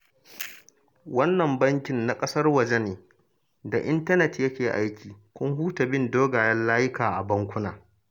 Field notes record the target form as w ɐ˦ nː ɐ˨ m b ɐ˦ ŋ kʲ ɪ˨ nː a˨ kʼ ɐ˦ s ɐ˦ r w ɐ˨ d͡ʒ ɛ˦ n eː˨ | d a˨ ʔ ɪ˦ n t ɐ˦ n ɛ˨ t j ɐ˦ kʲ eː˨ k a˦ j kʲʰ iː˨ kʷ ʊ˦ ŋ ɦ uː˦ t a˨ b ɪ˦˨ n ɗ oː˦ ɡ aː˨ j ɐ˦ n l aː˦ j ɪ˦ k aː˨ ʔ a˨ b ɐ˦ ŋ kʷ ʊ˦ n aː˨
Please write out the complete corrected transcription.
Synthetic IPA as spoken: w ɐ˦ nː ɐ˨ m b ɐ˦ ŋ kʲ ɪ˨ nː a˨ kʼ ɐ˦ s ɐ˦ r w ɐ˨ d͡ʒ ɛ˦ n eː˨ | d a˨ ʔ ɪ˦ n t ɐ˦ n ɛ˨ t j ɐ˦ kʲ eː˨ ʔ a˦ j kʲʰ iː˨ kʷ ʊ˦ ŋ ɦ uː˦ t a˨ b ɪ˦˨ n d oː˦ ɡ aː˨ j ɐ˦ n l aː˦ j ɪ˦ k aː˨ ʔ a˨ b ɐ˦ ŋ kʷ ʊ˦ n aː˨

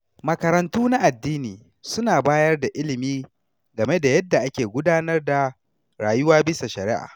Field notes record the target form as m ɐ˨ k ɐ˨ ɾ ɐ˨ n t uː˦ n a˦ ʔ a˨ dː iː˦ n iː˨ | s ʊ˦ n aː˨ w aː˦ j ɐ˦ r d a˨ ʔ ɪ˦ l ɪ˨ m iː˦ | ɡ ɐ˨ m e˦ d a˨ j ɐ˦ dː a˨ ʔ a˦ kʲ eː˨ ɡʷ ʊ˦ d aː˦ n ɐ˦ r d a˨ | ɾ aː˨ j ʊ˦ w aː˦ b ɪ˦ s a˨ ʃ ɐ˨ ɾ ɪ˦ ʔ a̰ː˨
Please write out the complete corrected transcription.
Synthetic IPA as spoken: m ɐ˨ k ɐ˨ ɾ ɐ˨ n t uː˦ n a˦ ʔ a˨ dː iː˦ n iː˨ | s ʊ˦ n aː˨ b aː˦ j ɐ˦ r d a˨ ʔ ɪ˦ l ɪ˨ m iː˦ | ɡ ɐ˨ m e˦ d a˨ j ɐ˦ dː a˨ ʔ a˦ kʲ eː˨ ɡʷ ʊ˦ d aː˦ n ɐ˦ r d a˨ | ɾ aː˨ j ʊ˦ w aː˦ b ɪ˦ s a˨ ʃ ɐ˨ ɾ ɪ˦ ʔ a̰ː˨

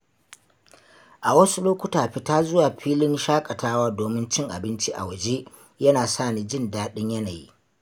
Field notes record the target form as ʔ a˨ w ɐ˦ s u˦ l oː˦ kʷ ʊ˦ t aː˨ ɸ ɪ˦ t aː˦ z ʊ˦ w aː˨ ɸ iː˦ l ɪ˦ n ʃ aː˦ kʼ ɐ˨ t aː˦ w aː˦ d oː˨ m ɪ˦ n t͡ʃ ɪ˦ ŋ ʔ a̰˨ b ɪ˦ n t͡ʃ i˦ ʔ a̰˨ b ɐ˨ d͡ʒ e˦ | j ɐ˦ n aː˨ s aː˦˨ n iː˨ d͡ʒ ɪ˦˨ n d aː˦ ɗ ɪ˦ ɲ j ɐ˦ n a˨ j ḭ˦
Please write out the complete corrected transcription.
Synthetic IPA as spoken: ʔ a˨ w ɐ˦ s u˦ l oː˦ kʷ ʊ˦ t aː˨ ɸ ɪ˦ t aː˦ z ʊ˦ w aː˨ ɸ iː˦ l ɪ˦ n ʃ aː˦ kʼ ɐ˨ t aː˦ w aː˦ d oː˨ m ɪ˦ n t͡ʃ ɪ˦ ŋ ʔ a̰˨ b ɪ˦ n t͡ʃ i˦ ʔ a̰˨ w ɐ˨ d͡ʒ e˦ | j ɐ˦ n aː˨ s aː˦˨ n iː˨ d͡ʒ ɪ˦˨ n d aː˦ ɗ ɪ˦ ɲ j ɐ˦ n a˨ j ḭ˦

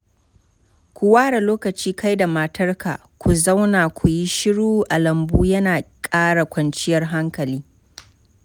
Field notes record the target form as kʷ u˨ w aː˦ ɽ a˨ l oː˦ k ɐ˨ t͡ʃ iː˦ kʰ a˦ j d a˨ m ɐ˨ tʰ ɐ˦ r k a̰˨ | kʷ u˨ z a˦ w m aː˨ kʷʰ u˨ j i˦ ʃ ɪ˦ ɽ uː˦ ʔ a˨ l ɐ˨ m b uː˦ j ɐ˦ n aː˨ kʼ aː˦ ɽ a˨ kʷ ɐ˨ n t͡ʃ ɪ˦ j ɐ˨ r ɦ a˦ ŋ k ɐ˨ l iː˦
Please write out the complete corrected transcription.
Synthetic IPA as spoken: kʷ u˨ w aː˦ ɽ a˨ l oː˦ k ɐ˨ t͡ʃ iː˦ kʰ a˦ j d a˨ m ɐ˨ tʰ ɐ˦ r k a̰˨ | kʷ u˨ z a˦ w n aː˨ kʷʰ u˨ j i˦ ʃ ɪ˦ ɽ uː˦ ʔ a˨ l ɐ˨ m b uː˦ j ɐ˦ n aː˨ kʼ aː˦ ɽ a˨ kʷ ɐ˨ n t͡ʃ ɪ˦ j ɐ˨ r ɦ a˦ ŋ k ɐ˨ l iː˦

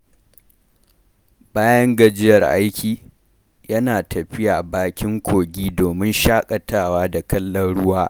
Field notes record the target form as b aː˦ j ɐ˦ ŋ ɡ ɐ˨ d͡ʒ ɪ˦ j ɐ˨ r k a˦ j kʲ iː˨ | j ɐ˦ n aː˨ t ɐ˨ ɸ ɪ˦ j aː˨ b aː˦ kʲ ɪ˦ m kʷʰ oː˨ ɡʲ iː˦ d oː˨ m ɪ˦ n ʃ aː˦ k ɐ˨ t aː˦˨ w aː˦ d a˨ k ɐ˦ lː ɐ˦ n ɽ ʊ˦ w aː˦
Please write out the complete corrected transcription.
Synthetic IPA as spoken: b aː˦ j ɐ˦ ŋ ɡ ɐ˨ d͡ʒ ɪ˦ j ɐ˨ r ʔ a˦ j kʲ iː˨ | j ɐ˦ n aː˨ t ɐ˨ ɸ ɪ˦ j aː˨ b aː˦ kʲ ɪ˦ ŋ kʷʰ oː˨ ɡʲ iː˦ d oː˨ m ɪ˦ n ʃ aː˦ kʼ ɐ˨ t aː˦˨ w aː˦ d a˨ k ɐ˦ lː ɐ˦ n ɽ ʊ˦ w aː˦

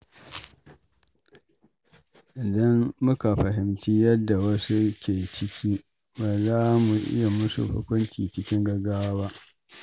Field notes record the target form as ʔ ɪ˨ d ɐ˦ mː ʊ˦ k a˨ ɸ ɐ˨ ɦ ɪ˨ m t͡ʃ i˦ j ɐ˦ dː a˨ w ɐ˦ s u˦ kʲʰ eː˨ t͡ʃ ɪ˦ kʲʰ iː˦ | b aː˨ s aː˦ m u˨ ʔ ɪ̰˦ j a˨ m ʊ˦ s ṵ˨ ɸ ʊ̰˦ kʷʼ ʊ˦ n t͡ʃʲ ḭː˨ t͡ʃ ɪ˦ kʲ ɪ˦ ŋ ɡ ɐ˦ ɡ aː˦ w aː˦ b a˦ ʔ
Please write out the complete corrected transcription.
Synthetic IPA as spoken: ʔ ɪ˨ d ɐ˦ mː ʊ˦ k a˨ ɸ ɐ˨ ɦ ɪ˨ m t͡ʃ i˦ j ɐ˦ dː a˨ w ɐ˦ s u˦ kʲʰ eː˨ t͡ʃ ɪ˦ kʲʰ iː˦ | b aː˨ z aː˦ m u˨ ʔ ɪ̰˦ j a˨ m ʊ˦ s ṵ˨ ɸ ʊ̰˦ kʷ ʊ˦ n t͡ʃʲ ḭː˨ t͡ʃ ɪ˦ kʲ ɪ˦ ŋ ɡ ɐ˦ ɡ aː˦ w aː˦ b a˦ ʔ

